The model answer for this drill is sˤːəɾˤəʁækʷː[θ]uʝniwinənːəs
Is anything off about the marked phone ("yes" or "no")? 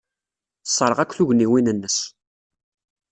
no